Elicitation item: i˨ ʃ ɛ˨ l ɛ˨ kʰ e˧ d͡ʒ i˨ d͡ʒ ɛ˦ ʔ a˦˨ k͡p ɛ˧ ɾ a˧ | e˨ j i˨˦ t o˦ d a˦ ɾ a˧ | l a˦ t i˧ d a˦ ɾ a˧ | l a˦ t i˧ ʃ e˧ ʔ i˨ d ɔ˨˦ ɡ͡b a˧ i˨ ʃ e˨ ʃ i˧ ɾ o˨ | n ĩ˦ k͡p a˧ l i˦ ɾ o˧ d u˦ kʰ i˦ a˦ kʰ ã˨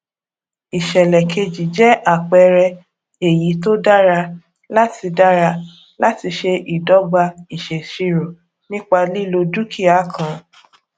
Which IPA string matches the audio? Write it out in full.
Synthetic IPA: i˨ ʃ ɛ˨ l ɛ˨ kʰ e˧ d͡ʒ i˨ d͡ʒ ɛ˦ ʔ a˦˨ k͡p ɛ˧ ɾ ɛ˧ | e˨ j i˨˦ t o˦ d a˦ ɾ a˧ | l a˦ t i˧ d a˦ ɾ a˧ | l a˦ t i˧ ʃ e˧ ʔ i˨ d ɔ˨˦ ɡ͡b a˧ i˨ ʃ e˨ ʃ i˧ ɾ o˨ | n ĩ˦ k͡p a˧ l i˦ l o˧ d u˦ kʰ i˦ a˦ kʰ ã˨